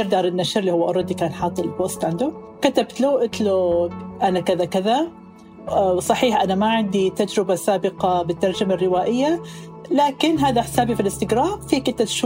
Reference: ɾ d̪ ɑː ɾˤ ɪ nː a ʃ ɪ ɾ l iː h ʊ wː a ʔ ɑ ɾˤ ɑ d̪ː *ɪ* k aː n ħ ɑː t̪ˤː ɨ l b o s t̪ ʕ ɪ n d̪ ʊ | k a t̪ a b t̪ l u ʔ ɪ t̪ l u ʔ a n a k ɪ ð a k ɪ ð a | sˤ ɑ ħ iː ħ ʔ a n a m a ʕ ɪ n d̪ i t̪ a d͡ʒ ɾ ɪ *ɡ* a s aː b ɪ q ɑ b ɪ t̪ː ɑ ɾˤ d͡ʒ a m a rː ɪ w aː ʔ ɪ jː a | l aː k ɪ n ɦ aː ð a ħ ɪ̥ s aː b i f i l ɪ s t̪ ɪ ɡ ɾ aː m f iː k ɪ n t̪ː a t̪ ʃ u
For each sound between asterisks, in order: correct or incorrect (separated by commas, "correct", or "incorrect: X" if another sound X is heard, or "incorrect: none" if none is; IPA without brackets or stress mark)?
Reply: incorrect: i, incorrect: b